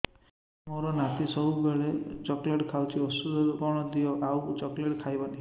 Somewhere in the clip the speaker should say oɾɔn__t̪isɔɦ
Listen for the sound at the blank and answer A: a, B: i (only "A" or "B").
A